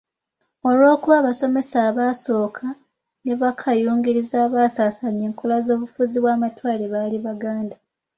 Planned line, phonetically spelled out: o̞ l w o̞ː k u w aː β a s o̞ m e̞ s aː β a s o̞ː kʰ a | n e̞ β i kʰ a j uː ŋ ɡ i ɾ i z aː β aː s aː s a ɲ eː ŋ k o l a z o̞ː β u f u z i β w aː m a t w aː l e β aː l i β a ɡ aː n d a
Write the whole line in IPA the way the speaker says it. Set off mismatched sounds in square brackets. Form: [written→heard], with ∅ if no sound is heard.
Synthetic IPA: o̞ l w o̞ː k u [w→β] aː β a s o̞ m e̞ s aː β a s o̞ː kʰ a | n e̞ β [i→a] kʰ a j uː ŋ ɡ i ɾ i z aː β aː s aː s a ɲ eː ŋ k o l a z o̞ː β u f u z i β w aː m a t w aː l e β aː l i β a ɡ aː n d a